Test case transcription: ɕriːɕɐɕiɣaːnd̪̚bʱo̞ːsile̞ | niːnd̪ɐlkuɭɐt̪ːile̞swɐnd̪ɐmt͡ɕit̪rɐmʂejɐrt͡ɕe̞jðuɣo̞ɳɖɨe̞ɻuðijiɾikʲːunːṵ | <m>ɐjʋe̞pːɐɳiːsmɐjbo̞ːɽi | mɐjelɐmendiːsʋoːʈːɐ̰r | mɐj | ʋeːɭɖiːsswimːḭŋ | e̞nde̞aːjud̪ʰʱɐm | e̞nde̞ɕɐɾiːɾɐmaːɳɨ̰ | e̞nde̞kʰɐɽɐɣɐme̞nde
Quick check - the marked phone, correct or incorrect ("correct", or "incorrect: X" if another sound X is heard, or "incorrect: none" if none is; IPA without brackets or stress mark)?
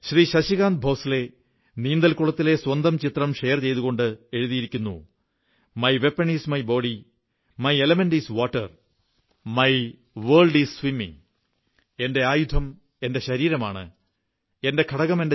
correct